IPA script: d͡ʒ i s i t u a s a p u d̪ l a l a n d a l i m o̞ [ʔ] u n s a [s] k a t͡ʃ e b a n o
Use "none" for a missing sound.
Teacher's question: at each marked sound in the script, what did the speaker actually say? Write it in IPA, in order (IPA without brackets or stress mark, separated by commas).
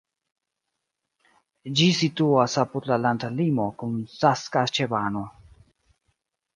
k, s